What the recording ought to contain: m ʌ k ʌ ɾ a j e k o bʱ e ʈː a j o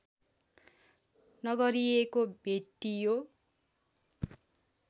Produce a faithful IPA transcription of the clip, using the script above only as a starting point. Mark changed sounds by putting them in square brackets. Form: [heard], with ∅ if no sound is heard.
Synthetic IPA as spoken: [n] ʌ [ɡ] ʌ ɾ [i] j e k o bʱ e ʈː [i] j o